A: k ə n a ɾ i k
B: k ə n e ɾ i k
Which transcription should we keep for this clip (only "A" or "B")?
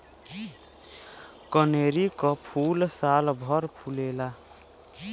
B